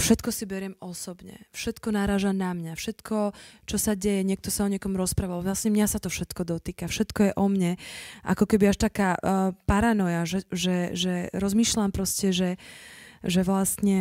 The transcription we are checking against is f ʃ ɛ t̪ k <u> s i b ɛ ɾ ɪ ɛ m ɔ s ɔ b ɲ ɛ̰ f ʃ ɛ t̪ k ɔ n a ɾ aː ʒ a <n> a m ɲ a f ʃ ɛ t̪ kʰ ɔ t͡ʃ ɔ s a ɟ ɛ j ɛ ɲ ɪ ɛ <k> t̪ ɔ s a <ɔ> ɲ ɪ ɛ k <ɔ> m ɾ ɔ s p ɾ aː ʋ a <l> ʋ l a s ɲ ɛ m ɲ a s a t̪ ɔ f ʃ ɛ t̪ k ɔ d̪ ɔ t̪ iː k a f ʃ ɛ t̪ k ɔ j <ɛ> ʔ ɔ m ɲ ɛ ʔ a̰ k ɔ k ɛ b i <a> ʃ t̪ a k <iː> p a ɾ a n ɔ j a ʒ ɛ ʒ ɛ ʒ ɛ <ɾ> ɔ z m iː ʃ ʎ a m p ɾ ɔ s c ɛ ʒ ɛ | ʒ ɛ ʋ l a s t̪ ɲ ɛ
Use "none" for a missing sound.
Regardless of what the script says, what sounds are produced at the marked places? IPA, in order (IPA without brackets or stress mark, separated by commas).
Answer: ɔ, n, k, ɔ, ɔ, l, ɛ, a, aː, ɾ